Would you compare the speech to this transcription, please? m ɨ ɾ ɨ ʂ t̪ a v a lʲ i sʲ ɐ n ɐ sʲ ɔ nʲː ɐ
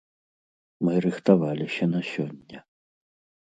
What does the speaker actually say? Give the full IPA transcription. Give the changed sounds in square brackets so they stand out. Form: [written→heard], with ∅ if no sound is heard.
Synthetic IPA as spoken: m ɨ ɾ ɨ [ʂ→x] t̪ a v a lʲ i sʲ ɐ n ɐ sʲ ɔ nʲː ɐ

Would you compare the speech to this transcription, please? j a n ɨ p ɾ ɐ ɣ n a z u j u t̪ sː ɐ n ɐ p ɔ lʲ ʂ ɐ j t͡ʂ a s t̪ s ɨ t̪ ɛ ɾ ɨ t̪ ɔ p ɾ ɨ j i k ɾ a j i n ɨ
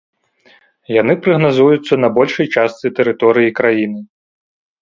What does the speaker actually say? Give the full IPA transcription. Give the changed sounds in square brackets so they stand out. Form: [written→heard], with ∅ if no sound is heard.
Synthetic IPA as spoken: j a n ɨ p ɾ ɐ ɣ n a z u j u t̪ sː ɐ n ɐ [p→b] ɔ lʲ ʂ ɐ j t͡ʂ a s t̪ s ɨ t̪ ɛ ɾ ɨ t̪ ɔ [p→∅] ɾ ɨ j i k ɾ a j i n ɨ

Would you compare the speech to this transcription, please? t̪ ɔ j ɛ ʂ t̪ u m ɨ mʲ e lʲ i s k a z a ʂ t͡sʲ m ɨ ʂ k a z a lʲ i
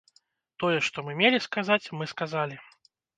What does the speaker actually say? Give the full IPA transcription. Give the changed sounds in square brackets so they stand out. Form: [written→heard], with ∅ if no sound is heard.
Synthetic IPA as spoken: t̪ ɔ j ɛ ʂ t̪ [u→ɔ] m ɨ mʲ e lʲ i s k a z a [ʂ→∅] t͡sʲ m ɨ [ʂ→s] k a z a lʲ i

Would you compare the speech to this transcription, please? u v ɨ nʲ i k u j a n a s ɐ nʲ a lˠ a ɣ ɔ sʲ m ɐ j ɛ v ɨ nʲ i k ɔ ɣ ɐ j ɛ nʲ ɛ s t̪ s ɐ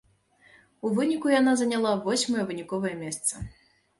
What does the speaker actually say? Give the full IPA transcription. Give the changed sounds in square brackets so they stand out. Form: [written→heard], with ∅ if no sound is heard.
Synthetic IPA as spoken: u v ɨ nʲ i k u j a n a [s→z] ɐ nʲ a lˠ a [ɣ→v] ɔ sʲ m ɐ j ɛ v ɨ nʲ i k ɔ [ɣ→v] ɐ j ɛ [nʲ→mʲ] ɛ s t̪ s ɐ

